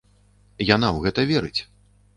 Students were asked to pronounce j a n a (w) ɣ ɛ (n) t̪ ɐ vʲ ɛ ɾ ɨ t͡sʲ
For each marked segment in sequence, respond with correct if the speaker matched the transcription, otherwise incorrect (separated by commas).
correct, incorrect